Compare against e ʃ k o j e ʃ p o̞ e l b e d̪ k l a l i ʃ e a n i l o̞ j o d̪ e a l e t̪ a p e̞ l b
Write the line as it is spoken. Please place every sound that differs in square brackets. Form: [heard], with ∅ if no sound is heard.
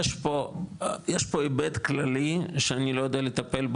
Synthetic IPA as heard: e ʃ [p] o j e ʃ p o̞ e [∅] b e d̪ k l a l i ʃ e a n i l o̞ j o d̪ e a l e t̪ a p e̞ l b